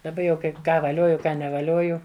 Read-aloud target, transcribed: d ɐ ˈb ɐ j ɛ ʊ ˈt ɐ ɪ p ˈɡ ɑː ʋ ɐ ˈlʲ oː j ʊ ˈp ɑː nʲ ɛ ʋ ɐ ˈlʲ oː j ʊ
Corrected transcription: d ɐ ˈb ɐ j ɛ ʊ ˈk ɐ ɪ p ˈk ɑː ʋ ɐ ˈlʲ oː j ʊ ˈk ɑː nʲ ɛ ʋ ɐ ˈlʲ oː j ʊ